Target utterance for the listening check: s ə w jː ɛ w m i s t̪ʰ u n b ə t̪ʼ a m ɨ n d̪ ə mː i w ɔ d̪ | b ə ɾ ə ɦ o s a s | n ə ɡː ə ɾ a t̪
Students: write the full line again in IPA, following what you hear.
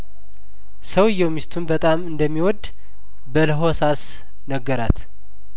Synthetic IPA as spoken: s ə w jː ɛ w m i s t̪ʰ u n b ə t̪ʼ a m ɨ n d̪ ə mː i w ɔ d̪ | b ə l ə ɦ o s a s | n ə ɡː ə ɾ a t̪